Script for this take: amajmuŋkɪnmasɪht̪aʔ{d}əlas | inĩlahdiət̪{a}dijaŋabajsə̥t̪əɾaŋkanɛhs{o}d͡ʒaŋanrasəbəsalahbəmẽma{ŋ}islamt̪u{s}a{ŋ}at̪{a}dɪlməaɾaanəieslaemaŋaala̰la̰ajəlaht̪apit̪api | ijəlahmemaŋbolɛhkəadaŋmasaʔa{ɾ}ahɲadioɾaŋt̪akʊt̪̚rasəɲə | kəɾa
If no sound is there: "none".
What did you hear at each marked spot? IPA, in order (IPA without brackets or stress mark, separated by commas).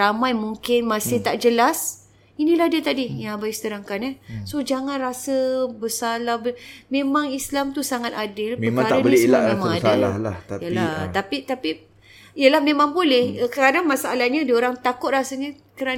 d͡ʒ, a, o, ŋ, s, ŋ, a, l